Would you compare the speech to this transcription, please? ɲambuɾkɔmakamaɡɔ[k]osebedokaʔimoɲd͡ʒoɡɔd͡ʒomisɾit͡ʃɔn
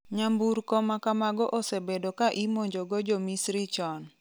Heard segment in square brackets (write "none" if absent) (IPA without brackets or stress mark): ʔ